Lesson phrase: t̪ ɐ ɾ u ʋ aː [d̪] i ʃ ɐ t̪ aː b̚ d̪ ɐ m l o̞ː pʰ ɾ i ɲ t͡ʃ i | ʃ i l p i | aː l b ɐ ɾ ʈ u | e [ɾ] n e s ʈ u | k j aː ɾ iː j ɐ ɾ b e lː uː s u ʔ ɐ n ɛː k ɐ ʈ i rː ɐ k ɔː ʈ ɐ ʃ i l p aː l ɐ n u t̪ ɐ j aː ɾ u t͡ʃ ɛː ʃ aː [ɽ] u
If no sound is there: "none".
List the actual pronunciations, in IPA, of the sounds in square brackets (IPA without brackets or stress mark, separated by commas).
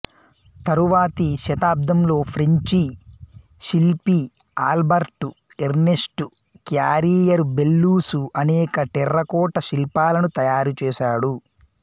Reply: t̪, ɾ, ɽ